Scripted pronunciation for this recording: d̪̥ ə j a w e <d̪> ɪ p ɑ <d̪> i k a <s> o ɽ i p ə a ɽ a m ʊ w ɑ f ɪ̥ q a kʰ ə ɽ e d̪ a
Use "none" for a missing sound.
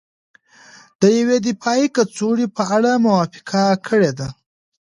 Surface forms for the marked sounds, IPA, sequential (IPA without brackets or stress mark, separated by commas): d̪, none, t͡s